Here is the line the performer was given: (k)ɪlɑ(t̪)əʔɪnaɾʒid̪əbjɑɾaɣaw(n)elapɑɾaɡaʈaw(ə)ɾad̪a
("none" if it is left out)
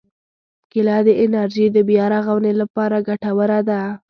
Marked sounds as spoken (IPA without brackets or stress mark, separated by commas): k, d̪, n, ə